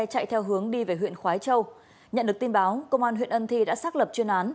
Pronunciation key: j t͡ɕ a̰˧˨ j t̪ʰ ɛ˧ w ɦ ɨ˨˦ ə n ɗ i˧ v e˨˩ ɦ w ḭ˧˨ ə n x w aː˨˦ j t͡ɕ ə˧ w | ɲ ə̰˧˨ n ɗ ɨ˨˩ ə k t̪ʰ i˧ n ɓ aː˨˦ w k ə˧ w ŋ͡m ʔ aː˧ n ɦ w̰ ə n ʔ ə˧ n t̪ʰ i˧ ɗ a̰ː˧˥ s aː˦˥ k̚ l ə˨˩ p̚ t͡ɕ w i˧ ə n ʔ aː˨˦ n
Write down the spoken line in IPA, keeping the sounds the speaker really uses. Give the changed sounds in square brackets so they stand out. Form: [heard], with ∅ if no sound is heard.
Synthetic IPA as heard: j t͡ɕ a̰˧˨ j t̪ʰ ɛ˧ w ɦ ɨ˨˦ ə [ŋ] ɗ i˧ v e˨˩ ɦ w ḭ˧˨ ə n x w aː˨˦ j t͡ɕ ə˧ w | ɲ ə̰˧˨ n ɗ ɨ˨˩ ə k [t̪] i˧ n ɓ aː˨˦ w k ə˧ w ŋ͡m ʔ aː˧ n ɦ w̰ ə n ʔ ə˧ n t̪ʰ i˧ ɗ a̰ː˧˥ s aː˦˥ k̚ l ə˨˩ p̚ t͡ɕ w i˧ ə n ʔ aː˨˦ n